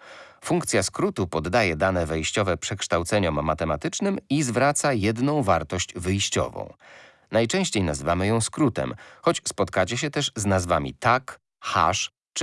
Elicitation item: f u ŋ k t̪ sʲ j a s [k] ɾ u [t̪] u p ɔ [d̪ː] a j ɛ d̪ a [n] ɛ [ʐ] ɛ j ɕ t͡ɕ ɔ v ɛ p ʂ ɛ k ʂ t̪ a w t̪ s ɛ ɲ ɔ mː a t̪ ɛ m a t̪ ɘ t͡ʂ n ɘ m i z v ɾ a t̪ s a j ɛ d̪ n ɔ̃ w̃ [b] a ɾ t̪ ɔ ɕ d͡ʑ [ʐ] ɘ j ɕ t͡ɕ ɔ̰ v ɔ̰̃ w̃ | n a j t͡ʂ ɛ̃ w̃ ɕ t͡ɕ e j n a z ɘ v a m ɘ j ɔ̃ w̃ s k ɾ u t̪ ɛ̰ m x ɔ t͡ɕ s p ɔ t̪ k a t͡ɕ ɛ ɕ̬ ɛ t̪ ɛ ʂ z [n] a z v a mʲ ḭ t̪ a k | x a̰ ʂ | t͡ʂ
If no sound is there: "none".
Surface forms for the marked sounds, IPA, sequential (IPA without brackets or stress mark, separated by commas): k, t̪, d̪ː, n, v, v, v, n